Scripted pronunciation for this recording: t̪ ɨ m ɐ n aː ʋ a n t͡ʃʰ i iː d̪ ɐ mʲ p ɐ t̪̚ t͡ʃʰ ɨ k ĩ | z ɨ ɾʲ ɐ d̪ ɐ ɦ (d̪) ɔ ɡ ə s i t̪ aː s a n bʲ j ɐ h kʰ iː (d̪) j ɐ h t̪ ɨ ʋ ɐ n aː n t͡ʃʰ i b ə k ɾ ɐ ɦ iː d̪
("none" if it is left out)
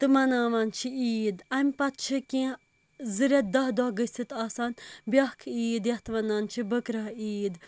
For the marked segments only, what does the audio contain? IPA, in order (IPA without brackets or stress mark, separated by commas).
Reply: d̪, d̪